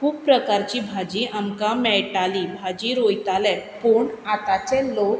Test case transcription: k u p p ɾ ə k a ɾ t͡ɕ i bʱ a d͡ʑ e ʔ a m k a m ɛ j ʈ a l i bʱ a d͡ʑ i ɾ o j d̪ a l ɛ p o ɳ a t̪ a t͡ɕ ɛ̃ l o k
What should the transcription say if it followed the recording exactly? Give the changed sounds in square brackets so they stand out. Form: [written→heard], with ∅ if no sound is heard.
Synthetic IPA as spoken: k u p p ɾ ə k a ɾ t͡ɕ i bʱ a d͡ʑ [e→i] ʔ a m k a m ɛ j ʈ a l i bʱ a d͡ʑ i ɾ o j [d̪→t̪] a l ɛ p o ɳ a t̪ a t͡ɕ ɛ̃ l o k